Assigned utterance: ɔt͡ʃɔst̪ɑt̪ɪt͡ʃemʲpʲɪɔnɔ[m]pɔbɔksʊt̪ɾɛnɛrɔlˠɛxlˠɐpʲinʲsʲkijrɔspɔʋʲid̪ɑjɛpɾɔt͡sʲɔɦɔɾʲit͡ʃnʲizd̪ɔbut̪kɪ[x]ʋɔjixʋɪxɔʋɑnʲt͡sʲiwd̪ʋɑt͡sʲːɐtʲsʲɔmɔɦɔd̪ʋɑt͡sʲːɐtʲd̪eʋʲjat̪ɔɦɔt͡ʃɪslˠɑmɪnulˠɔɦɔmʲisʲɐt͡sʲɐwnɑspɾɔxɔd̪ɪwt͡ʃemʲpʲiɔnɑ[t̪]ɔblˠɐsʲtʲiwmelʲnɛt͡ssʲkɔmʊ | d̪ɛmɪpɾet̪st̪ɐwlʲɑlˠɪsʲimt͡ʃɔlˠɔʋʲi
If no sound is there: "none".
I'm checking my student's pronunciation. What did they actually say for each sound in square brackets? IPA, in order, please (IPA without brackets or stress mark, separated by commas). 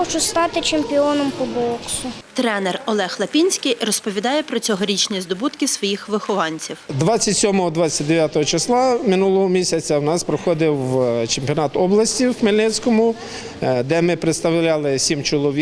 m, s, t̪